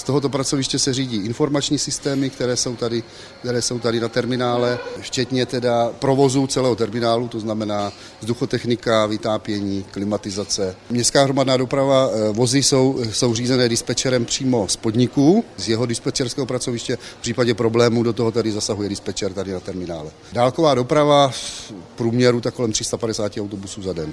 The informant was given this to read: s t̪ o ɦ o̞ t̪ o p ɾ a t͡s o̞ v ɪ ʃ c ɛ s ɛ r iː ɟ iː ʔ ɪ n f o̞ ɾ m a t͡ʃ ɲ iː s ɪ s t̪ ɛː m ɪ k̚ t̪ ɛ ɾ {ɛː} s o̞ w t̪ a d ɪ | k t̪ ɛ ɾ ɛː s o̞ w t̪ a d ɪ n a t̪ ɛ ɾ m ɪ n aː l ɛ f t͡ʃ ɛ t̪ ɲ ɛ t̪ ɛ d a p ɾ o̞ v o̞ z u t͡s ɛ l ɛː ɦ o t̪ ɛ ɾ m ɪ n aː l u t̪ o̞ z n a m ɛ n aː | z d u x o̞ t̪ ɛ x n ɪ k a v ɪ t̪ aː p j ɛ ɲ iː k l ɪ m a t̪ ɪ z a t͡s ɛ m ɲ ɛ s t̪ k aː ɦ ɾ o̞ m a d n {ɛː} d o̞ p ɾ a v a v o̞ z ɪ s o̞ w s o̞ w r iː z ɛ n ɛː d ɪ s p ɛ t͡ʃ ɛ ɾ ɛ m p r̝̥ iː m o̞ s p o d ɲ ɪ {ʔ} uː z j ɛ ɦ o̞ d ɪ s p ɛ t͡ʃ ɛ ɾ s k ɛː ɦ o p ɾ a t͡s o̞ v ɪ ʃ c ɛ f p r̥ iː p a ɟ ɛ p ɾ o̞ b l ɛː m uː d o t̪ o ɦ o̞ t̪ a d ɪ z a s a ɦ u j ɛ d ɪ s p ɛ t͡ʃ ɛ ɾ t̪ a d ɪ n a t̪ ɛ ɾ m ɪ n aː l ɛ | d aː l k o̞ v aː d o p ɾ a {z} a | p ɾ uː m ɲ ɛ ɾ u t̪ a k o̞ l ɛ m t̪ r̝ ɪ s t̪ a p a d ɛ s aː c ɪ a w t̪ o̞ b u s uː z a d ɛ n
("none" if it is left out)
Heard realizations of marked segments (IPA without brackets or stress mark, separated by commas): ɛː, aː, k, v